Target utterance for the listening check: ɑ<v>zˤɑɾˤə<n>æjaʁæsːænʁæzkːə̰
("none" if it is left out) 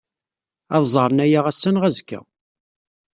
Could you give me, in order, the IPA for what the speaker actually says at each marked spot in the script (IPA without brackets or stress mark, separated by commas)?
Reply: ð, n